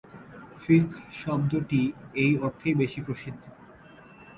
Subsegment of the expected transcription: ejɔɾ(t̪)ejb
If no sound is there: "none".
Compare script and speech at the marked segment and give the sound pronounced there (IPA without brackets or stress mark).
t̪ʰ